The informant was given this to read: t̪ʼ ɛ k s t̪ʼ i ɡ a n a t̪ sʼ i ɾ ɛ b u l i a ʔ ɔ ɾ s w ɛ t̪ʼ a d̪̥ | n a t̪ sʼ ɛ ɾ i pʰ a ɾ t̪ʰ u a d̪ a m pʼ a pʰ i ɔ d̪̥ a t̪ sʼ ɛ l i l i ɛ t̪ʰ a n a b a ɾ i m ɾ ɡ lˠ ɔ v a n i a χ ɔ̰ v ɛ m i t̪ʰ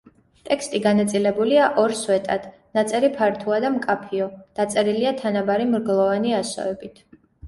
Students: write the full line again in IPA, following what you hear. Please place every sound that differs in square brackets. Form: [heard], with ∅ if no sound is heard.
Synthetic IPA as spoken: t̪ʼ ɛ k s t̪ʼ i ɡ a n a t̪ sʼ i [l] ɛ b u l i a ʔ ɔ ɾ s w ɛ t̪ʼ a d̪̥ | n a t̪ sʼ ɛ ɾ i pʰ a ɾ t̪ʰ u a d̪ a m [kʼ] a pʰ i ɔ d̪̥ a t̪ sʼ ɛ [ɾ] i l i [a] t̪ʰ a n a b a ɾ i m ɾ ɡ lˠ ɔ v a n i a [s] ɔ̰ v ɛ [b] i t̪ʰ